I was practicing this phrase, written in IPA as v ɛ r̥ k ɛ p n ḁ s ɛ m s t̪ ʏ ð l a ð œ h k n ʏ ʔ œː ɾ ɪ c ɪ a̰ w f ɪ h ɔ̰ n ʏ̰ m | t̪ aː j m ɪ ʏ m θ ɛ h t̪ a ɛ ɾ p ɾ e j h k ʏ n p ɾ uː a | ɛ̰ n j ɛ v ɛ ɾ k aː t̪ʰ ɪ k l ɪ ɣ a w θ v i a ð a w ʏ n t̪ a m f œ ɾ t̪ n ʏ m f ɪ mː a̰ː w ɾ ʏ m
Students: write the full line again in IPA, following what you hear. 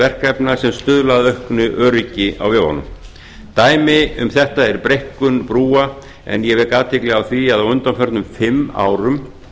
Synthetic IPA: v ɛ r̥ k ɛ p n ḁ s ɛ m s t̪ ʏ ð l a ð œ h k n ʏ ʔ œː ɾ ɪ c ɪ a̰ w v ɪ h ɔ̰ n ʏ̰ m | t̪ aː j m ɪ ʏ m θ ɛ h t̪ a ɛ ɾ p ɾ e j h k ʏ n p ɾ uː a | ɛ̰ n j ɛ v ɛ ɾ k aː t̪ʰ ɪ k l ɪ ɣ a w θ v i a ð a w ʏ n t̪ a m f œ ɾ t̪ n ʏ m f ɪ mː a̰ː w ɾ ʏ m